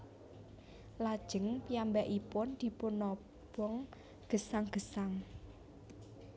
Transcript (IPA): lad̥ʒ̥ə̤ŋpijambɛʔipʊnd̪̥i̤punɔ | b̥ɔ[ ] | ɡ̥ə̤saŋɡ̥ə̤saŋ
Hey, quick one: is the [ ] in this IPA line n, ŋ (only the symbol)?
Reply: ŋ